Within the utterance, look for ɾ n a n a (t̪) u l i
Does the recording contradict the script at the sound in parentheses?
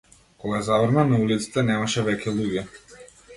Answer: yes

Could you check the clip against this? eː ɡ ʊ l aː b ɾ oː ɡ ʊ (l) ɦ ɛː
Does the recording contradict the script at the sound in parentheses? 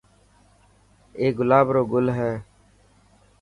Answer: no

